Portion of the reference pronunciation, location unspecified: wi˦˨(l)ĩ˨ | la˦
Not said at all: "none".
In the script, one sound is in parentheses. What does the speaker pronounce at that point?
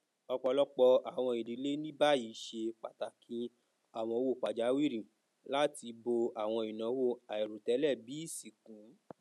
ɾ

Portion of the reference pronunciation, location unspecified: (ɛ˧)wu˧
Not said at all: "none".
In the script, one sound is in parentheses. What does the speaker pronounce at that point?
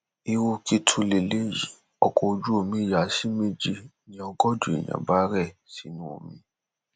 i˧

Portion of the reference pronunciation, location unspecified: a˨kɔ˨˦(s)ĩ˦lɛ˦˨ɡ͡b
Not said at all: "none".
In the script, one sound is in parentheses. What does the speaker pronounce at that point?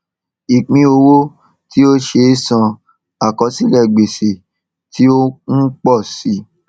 s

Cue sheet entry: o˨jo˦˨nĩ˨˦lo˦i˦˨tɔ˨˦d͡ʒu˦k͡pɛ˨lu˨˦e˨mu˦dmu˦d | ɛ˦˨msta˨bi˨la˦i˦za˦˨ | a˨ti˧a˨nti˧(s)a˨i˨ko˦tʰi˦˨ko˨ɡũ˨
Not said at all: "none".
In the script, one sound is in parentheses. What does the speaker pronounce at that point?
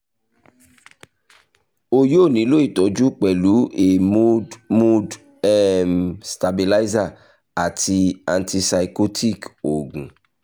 s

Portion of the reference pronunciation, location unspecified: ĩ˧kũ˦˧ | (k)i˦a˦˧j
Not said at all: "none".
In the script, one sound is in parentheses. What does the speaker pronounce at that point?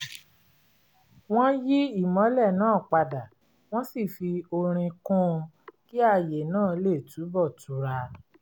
k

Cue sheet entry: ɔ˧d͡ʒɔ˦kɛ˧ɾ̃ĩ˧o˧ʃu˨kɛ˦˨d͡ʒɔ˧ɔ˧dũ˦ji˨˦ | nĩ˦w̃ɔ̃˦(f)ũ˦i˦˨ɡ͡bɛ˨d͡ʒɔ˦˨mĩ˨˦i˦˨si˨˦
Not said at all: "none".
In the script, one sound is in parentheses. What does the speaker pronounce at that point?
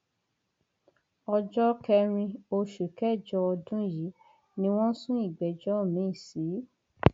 s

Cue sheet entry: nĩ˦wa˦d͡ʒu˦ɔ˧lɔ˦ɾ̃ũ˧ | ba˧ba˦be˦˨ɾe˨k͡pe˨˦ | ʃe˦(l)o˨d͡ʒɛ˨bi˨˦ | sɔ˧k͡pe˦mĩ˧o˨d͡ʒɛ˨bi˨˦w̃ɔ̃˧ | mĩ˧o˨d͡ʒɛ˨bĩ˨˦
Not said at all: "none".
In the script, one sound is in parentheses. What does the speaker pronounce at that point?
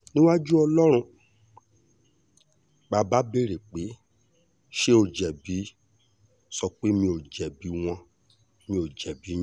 none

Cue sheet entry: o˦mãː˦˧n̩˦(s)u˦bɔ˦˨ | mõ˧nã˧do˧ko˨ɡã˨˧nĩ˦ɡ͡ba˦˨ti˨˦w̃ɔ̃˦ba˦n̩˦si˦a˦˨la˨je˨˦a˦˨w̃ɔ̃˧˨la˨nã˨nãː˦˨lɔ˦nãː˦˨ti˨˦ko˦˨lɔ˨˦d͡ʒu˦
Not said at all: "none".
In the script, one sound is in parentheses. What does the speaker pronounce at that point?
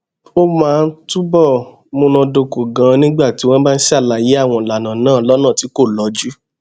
t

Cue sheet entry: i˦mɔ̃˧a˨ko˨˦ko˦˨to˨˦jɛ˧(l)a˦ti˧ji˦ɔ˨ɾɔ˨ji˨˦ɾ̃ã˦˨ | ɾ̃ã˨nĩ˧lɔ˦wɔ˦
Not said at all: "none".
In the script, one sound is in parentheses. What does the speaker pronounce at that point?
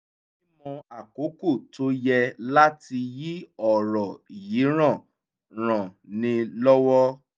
l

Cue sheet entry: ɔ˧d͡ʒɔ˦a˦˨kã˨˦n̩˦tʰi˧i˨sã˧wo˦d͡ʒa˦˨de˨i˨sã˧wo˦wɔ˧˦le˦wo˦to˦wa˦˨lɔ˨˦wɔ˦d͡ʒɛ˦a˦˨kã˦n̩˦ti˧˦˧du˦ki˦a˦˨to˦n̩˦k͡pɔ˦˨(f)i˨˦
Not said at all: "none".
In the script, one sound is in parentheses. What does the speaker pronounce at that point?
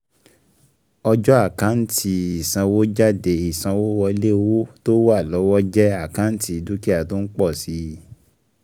s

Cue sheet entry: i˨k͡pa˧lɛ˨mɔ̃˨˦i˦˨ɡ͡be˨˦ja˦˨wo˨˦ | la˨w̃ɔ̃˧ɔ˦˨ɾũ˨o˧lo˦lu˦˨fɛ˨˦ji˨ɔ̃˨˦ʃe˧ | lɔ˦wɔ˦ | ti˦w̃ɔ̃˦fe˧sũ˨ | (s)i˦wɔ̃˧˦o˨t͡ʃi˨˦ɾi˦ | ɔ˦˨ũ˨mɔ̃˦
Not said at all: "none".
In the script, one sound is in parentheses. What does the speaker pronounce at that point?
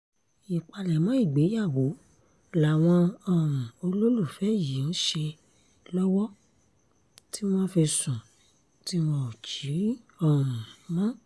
t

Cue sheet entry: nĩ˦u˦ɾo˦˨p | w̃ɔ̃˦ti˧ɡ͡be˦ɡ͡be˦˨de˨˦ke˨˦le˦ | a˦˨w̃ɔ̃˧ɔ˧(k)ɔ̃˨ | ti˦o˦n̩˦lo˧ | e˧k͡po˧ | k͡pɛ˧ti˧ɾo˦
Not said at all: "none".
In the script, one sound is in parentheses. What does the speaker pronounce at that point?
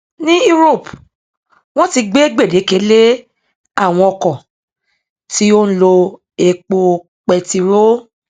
k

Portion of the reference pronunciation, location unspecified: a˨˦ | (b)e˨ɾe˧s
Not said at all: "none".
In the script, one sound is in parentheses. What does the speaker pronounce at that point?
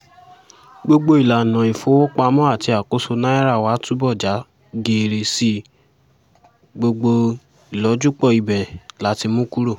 ɡ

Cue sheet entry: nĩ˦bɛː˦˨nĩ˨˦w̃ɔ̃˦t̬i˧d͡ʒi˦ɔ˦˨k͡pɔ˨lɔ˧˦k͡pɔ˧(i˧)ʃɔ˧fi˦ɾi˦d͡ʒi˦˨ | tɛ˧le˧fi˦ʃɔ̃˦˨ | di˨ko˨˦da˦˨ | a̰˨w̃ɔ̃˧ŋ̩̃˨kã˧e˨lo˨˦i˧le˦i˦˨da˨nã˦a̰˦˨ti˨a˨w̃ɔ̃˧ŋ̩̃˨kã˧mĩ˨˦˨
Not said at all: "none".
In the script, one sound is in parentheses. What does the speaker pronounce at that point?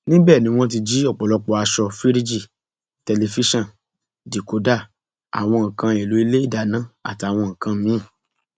a˧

